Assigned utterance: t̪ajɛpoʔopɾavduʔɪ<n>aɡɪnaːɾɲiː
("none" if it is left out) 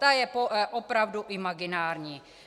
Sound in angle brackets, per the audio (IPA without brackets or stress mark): m